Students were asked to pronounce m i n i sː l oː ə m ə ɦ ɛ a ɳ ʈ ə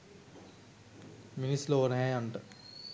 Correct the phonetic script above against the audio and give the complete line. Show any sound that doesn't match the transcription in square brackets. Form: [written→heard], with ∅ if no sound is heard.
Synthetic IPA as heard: m i n i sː l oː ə [m→n] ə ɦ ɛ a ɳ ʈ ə